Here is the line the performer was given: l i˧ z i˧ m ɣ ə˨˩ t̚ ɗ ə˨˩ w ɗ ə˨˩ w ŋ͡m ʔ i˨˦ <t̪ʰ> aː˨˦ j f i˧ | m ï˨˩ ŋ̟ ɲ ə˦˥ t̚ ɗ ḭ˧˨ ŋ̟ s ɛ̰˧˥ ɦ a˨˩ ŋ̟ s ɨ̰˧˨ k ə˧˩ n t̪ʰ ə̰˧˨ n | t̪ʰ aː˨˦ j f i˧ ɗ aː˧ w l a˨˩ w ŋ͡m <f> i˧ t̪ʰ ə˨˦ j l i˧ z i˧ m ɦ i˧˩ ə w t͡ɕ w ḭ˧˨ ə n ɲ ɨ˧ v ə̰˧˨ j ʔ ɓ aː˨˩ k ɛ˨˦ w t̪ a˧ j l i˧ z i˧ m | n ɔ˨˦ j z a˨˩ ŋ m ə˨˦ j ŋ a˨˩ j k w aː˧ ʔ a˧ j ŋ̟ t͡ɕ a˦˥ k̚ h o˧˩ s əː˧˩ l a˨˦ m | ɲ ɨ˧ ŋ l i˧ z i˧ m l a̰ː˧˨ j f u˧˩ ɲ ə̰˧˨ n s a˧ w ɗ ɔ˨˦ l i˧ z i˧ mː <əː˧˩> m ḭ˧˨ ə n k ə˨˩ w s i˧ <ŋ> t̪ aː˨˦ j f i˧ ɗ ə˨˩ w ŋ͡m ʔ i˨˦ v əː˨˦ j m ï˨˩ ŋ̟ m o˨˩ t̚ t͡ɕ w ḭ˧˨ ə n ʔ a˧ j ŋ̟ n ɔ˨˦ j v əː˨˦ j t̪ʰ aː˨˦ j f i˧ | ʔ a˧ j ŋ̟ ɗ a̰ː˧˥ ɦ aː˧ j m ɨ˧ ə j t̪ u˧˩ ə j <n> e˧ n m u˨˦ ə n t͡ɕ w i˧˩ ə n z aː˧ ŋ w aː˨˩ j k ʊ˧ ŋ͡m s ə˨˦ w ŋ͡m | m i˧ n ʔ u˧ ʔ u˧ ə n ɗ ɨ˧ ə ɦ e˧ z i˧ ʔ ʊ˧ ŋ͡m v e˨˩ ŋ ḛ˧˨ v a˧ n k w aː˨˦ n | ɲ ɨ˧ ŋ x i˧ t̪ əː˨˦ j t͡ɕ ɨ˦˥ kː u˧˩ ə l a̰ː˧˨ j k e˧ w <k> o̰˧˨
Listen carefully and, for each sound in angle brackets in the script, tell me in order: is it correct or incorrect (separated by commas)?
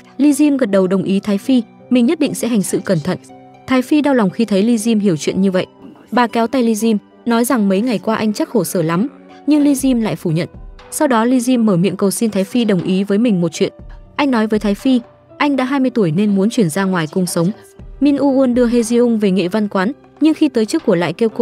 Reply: correct, incorrect, correct, incorrect, correct, correct